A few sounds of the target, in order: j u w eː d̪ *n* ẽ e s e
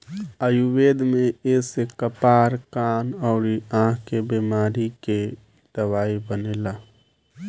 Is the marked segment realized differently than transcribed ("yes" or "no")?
yes